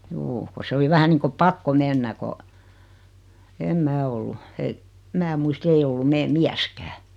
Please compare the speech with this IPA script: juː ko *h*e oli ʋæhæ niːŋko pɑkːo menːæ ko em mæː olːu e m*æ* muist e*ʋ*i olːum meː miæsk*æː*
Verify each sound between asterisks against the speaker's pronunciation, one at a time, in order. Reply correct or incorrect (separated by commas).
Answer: incorrect, incorrect, incorrect, correct